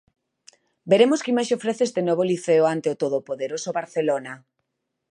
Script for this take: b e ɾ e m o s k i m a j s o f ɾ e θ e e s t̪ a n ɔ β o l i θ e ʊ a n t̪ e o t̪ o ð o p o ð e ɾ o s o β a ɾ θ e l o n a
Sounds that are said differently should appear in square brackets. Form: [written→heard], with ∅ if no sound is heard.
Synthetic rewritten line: b e ɾ e m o s k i m a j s o f ɾ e θ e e s t̪ [a→e] n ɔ β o l i θ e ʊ a n t̪ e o t̪ o ð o p o ð e ɾ o s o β a ɾ θ e l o n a